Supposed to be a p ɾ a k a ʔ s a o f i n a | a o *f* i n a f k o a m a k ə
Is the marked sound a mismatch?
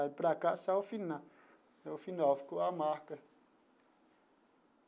no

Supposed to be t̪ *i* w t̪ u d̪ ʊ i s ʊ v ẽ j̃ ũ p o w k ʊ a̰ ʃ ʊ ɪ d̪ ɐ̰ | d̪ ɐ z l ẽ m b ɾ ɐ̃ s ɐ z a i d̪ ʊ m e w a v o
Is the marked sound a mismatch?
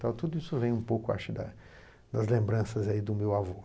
yes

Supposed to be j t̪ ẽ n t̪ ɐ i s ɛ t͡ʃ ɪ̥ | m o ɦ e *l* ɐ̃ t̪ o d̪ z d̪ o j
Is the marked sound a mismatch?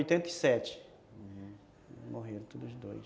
yes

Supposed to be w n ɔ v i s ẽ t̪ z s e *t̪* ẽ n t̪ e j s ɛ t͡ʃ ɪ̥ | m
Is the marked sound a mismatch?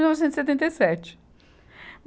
no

